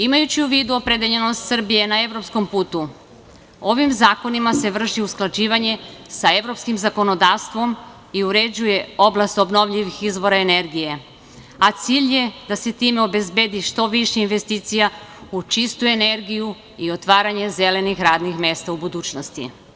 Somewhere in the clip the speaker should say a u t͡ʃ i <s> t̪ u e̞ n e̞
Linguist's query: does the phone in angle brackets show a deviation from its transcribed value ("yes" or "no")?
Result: no